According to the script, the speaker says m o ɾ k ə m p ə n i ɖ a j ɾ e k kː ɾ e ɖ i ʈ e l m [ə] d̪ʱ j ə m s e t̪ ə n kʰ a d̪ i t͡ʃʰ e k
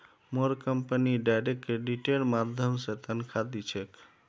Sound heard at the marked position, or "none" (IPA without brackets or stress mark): a